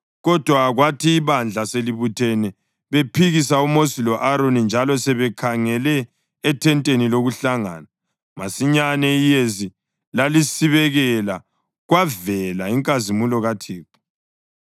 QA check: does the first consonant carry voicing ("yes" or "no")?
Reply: yes